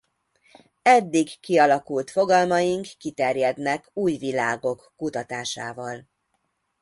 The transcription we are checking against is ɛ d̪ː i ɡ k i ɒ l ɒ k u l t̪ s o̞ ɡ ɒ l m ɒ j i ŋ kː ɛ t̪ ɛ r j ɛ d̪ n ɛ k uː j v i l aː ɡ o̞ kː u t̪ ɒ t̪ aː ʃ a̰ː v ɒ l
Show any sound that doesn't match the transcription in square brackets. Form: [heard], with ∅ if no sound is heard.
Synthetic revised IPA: ɛ d̪ː i ɡ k i ɒ l ɒ k u l t̪ [f] o̞ ɡ ɒ l m ɒ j i ŋ kː [i] t̪ ɛ r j ɛ d̪ n ɛ k uː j v i l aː ɡ o̞ kː u t̪ ɒ t̪ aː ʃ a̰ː v ɒ l